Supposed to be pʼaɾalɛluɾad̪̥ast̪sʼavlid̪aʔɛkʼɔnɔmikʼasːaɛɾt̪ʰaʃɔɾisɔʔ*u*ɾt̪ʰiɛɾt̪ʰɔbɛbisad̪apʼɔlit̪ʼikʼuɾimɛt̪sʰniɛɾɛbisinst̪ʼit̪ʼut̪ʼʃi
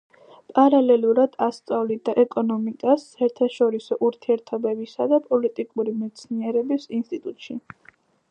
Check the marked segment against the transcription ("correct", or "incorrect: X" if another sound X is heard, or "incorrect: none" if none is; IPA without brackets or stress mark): correct